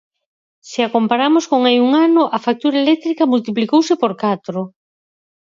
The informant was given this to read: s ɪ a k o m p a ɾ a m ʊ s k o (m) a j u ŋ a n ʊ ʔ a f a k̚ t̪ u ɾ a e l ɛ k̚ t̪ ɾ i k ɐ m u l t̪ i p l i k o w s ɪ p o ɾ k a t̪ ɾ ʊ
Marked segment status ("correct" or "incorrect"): incorrect